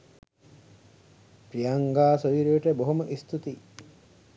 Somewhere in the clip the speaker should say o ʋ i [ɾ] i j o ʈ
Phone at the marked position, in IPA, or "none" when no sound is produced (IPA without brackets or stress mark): ɾ